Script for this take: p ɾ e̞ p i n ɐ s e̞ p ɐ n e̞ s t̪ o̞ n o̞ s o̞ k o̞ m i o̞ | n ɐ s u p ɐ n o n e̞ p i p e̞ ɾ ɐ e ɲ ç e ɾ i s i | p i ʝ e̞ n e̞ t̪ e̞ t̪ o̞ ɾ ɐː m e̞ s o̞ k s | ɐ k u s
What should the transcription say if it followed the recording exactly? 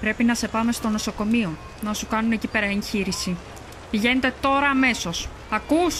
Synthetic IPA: p ɾ e̞ p i n ɐ s e̞ p ɐ m e̞ s t̪ o̞ n o̞ s o̞ k o̞ m i o̞ | n ɐ s u k ɐ n u n e̞ c i p e̞ ɾ ɐ e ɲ ç i ɾ i s i | p i ʝ e̞ n e̞ t̪ e̞ t̪ o̞ ɾ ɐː m e̞ s o̞ s | ɐ k u s